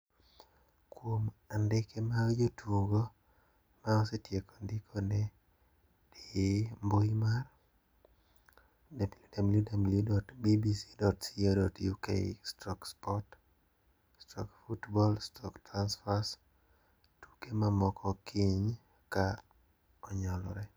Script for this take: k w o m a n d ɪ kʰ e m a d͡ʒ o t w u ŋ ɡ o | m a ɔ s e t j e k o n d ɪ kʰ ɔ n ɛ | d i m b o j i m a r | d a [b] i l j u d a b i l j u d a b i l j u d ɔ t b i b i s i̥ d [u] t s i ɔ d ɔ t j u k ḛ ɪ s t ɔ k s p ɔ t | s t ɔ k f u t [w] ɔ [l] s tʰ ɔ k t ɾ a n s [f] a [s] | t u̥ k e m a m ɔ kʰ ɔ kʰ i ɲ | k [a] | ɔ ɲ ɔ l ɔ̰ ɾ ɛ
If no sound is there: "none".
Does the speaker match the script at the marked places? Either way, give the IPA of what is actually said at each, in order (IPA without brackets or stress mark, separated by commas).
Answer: b, ɔ, b, l, f, s, a